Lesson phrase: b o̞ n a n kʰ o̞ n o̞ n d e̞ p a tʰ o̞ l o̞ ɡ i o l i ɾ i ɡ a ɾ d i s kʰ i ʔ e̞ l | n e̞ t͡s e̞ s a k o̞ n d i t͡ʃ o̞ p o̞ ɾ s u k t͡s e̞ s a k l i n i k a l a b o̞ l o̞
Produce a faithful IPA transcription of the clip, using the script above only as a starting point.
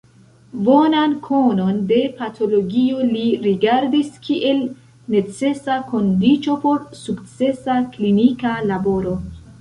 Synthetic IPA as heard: b o̞ n a n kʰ o̞ n o̞ n d e̞ p a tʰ o̞ l o̞ ɡ i o l i ɾ i ɡ a ɾ d i s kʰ i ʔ e̞ l | n e̞ t͡s e̞ s a k o̞ n d i t͡ʃ o̞ p o̞ ɾ s u k t͡s e̞ s a k l i n i k a l a b o̞ ɾ o̞